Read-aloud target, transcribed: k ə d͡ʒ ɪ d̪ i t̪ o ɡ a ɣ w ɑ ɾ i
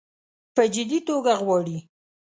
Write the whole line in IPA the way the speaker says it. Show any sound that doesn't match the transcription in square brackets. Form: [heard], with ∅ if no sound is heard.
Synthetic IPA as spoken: [p] ə d͡ʒ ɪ d̪ i t̪ o ɡ a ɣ w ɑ [ɽ] i